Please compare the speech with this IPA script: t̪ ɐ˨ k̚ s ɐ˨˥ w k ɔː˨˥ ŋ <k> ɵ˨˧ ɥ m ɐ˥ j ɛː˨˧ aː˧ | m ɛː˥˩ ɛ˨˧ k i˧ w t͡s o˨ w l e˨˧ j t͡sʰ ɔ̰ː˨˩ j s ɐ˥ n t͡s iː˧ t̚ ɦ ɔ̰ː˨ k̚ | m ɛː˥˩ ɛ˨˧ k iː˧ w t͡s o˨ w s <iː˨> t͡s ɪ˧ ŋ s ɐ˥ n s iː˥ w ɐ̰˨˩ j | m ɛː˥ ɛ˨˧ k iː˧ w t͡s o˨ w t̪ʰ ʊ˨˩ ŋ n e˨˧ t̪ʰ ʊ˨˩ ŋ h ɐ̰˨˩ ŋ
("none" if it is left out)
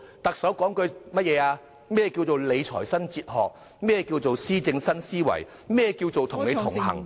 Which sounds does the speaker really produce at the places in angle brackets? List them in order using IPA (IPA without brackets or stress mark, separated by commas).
k, iː˥